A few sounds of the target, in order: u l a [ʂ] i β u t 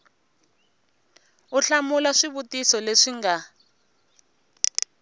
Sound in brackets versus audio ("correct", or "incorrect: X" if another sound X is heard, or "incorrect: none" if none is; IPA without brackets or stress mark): correct